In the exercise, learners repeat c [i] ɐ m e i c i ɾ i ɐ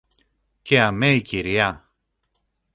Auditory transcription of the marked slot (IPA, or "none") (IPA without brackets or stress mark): e